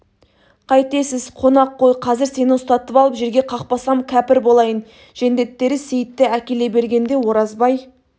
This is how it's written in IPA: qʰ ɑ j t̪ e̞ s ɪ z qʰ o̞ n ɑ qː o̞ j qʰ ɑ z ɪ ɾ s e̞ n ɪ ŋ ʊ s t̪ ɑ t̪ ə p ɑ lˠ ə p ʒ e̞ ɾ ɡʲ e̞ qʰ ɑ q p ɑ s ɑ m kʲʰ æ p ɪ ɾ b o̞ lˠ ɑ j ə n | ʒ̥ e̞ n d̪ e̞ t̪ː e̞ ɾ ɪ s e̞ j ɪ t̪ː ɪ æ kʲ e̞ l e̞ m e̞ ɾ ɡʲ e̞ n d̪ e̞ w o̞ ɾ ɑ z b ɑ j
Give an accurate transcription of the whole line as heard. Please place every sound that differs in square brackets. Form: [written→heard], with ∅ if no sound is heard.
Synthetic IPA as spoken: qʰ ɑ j t̪ e̞ s ɪ z qʰ o̞ n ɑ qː o̞ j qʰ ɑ z ɪ ɾ s e̞ n ɪ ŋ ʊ s t̪ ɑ t̪ ə p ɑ lˠ ə p ʒ e̞ ɾ ɡʲ e̞ qʰ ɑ q p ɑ s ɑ m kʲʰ æ p ɪ ɾ b o̞ lˠ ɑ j ə n | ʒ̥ e̞ n d̪ e̞ t̪ː e̞ ɾ ɪ s e̞ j ɪ t̪ː ɪ æ kʲ e̞ l e̞ [m→b] e̞ ɾ ɡʲ e̞ n d̪ e̞ w o̞ ɾ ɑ z b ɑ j

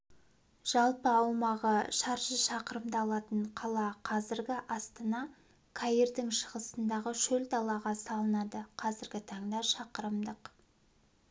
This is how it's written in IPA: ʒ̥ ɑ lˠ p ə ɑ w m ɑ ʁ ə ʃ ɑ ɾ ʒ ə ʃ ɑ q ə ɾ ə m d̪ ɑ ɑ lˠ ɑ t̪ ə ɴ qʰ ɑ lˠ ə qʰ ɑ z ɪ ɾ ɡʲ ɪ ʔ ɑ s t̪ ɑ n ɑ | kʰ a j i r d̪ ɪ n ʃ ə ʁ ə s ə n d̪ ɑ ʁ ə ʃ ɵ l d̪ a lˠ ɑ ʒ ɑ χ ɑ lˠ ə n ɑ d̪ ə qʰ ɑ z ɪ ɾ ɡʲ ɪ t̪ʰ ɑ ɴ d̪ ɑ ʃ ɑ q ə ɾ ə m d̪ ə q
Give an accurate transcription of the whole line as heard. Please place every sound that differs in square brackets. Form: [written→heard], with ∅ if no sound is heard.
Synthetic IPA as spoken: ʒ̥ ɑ lˠ p ə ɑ w m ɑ ʁ ə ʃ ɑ ɾ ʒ ə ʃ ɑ q ə ɾ ə m d̪ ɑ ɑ lˠ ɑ t̪ ə ɴ qʰ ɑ lˠ [ə→ɑ] qʰ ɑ z ɪ ɾ ɡʲ ɪ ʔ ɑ s t̪ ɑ n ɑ | kʰ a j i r d̪ ɪ [n→ŋ] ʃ ə ʁ ə s ə n d̪ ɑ ʁ ə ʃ ɵ l d̪ [a→ɑ] lˠ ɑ [ʒ→ʁ] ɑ [χ→s] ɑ lˠ ə n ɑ d̪ ə qʰ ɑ z ɪ ɾ ɡʲ ɪ t̪ʰ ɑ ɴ d̪ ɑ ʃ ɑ q ə ɾ ə m d̪ ə q

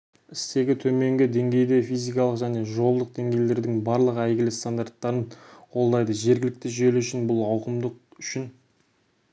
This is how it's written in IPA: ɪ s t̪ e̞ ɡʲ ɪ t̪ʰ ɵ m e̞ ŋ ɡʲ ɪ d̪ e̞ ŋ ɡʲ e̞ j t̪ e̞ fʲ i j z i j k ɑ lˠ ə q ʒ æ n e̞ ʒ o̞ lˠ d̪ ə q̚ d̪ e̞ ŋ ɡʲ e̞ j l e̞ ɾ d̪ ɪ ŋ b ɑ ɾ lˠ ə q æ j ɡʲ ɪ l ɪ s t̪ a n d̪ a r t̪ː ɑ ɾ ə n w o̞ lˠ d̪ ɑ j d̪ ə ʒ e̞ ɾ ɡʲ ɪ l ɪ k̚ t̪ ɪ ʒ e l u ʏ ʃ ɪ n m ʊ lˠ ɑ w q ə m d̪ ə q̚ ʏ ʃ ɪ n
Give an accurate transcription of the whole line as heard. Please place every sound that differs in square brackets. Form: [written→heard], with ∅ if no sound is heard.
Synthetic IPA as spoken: ɪ s t̪ e̞ ɡʲ ɪ t̪ʰ ɵ m e̞ ŋ ɡʲ ɪ d̪ e̞ ŋ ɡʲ e̞ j [t̪→d̪] e̞ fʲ i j z i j k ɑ lˠ ə q ʒ æ n e̞ ʒ o̞ lˠ d̪ ə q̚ d̪ e̞ ŋ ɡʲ e̞ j l e̞ ɾ d̪ ɪ ŋ b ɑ ɾ lˠ ə q æ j ɡʲ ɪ l ɪ s t̪ a n d̪ a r t̪ː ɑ ɾ ə n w o̞ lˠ d̪ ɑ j d̪ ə ʒ e̞ ɾ ɡʲ ɪ l ɪ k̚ t̪ ɪ ʒ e l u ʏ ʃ ɪ n [m→b] ʊ lˠ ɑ w q ə m d̪ ə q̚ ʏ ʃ ɪ n

